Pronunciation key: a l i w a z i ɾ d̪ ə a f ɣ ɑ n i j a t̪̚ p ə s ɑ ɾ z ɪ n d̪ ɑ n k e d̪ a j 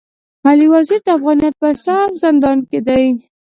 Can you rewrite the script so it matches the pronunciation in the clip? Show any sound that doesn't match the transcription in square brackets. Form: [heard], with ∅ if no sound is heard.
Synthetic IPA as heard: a l i w a z i ɾ d̪ ə a f ɣ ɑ n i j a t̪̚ p ə s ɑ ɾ z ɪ n d̪ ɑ n k e d̪ a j